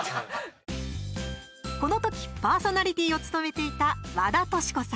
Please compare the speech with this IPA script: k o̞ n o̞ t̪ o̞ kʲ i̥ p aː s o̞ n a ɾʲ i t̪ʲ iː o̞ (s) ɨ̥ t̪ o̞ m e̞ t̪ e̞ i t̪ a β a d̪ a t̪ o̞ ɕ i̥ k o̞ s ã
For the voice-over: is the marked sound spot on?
no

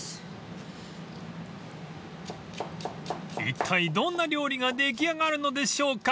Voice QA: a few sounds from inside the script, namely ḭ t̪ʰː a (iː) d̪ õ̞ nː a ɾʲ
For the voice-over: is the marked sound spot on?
no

